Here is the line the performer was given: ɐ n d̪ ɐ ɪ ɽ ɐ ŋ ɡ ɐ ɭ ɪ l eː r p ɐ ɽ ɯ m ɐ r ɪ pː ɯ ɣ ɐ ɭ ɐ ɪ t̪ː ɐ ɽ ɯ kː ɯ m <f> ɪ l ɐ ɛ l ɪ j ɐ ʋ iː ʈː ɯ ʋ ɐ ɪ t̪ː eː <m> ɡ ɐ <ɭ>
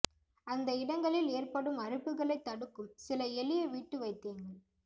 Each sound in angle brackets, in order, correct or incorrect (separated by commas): incorrect, incorrect, correct